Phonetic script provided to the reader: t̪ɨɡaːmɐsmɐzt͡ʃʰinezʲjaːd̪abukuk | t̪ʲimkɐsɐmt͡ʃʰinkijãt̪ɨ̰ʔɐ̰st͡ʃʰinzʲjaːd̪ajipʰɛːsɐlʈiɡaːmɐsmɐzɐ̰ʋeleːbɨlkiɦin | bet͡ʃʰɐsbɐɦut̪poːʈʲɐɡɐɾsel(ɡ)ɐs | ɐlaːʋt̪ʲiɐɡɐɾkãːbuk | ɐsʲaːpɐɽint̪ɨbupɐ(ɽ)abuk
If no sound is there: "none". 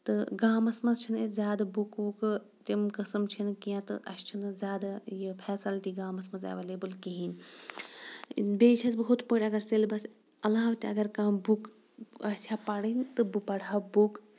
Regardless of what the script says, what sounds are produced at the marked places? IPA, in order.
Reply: b, ɽ

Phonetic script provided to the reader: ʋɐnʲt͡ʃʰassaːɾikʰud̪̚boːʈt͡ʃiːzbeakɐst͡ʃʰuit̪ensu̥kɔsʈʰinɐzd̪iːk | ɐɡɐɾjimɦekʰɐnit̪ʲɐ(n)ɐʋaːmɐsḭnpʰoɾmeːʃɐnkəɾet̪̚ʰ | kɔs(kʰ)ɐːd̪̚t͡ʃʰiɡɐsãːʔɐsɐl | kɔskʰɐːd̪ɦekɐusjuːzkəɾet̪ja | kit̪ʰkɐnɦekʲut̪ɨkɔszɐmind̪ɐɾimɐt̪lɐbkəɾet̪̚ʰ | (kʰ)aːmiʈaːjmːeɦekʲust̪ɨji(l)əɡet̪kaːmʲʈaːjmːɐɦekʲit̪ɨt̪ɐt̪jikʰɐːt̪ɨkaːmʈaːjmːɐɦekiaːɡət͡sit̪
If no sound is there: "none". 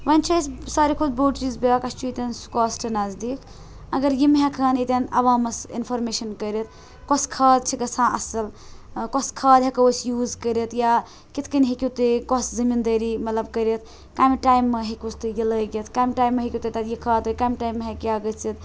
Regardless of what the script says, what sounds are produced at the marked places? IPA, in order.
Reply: n, kʰ, k, l

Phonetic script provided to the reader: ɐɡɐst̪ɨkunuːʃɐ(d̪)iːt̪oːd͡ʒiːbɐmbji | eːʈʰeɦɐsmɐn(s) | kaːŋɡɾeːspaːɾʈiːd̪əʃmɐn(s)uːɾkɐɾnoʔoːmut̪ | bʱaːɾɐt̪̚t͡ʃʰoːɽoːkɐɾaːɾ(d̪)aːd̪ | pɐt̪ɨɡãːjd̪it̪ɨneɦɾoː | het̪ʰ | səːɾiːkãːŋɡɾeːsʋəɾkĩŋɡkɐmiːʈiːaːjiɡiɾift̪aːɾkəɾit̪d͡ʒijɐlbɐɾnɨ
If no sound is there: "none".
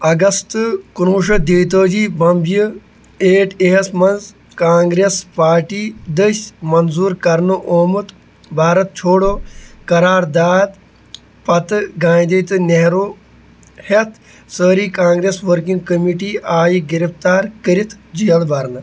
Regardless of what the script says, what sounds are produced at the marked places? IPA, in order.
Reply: d̪, z, z, d̪

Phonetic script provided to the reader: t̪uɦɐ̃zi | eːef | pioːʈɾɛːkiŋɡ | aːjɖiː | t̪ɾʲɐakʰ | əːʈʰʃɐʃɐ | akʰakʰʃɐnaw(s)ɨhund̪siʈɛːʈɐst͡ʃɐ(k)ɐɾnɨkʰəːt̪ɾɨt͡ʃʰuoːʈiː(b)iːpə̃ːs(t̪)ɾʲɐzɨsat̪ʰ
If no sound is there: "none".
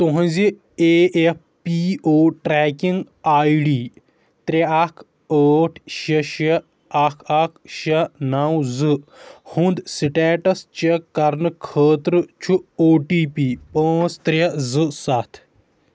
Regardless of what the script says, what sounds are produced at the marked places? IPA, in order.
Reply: z, k, p, t̪

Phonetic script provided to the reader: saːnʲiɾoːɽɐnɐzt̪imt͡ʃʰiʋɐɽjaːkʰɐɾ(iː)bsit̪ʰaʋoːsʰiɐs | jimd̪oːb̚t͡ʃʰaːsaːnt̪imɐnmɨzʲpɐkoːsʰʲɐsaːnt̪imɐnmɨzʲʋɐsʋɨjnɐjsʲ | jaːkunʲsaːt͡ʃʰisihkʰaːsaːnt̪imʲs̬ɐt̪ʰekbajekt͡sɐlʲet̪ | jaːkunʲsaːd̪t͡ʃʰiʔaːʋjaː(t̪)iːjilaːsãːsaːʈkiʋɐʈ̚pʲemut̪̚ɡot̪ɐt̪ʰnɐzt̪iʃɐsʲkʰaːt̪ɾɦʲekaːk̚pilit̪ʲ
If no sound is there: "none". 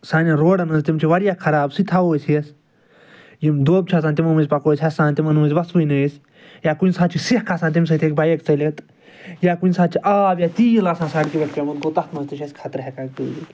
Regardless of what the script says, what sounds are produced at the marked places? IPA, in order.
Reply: aː, t̪

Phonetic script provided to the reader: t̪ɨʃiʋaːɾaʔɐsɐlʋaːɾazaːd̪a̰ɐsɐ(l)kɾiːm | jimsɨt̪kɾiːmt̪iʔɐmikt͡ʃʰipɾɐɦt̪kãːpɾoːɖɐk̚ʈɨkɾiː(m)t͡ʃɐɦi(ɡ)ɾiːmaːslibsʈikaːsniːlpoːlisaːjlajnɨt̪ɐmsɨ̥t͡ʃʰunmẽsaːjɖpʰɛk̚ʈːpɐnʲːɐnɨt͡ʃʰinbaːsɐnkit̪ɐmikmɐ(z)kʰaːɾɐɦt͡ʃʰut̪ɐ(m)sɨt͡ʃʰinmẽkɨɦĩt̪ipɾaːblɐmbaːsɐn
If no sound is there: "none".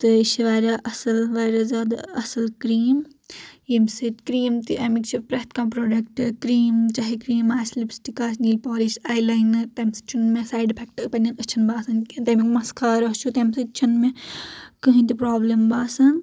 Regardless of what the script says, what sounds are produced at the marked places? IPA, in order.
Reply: l, m, k, s, m

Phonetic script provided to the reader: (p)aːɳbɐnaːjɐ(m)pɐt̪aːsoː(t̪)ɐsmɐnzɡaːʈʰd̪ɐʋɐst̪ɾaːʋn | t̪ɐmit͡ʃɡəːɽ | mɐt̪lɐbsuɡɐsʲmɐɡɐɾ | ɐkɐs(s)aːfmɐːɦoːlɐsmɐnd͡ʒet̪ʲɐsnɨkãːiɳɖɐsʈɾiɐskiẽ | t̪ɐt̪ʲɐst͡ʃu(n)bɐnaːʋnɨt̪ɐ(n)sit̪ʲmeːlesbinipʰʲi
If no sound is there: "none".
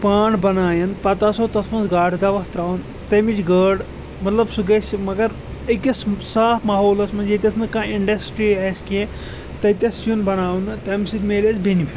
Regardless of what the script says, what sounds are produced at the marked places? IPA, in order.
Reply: p, n, t̪, s, n, m

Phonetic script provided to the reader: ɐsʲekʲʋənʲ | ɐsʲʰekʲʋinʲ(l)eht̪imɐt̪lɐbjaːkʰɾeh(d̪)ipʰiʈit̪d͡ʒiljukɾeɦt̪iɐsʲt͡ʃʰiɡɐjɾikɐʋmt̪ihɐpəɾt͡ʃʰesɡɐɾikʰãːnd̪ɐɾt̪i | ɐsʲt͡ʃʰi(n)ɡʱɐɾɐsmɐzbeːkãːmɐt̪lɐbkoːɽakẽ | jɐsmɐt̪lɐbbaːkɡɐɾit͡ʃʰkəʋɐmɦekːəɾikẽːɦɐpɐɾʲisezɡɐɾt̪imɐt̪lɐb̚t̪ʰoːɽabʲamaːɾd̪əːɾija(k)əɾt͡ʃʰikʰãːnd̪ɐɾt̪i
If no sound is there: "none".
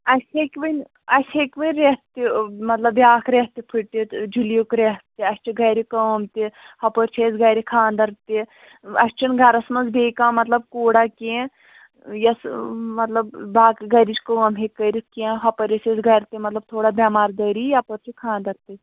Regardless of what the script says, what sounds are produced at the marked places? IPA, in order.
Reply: ɾ, t̪, n, p

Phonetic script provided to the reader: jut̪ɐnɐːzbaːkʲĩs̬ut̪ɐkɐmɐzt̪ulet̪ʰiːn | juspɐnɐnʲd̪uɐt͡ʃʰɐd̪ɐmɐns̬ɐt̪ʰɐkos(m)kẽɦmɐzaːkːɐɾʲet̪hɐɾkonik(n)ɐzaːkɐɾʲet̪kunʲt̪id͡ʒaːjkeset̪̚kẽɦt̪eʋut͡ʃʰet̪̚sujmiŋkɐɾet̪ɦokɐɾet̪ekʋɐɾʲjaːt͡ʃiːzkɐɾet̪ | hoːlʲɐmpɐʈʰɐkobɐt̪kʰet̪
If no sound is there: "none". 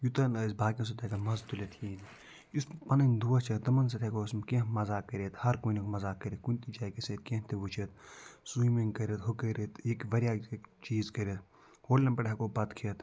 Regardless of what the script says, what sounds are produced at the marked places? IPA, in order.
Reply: m, m

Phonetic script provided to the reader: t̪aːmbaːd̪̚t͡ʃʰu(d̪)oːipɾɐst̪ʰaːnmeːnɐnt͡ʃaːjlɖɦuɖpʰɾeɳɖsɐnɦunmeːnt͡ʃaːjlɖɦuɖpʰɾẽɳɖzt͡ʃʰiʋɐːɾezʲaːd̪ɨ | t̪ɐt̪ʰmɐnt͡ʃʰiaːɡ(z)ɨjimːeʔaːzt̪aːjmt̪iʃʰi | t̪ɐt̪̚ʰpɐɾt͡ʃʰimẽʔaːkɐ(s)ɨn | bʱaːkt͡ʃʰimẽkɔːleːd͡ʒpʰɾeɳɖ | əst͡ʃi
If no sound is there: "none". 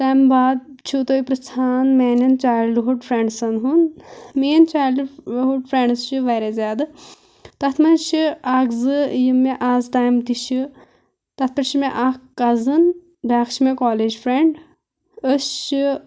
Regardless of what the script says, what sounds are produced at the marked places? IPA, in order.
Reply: t̪, z, z

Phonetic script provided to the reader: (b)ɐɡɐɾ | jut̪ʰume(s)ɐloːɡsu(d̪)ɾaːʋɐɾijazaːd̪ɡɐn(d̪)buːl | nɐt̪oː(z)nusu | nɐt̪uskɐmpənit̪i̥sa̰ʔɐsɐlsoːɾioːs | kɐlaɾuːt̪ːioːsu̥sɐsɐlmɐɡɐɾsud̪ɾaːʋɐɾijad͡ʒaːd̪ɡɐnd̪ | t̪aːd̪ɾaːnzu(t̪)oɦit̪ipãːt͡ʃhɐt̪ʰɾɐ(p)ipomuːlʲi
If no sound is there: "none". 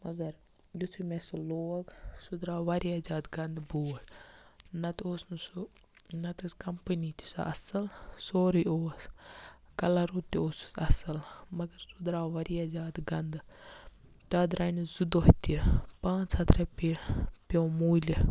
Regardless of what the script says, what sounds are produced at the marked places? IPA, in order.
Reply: m, s, d̪, d̪, s, d̪, p

